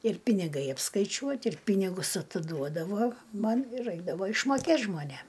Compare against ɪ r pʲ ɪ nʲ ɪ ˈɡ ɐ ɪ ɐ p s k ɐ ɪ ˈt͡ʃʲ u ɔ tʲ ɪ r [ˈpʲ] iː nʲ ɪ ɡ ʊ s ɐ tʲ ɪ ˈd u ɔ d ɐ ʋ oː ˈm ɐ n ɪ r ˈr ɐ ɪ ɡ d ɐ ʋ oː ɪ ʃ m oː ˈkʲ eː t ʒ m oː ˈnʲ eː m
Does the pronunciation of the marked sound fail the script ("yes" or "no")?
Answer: no